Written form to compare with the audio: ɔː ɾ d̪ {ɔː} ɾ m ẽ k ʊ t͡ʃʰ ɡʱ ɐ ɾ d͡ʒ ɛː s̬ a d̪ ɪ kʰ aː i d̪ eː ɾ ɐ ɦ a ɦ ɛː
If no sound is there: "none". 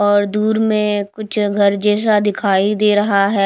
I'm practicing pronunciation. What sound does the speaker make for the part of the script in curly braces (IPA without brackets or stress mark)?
uː